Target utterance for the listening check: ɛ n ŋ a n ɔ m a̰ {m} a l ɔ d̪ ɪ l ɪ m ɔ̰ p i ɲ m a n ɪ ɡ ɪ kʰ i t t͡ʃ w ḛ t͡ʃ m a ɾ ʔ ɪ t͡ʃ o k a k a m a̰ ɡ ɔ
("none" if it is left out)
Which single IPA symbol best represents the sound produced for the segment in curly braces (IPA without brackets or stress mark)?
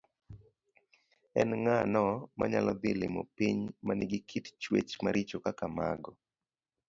ɲ